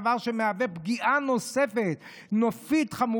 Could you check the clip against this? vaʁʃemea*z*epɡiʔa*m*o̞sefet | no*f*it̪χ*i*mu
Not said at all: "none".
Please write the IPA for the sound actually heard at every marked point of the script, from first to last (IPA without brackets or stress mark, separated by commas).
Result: v, n, f, a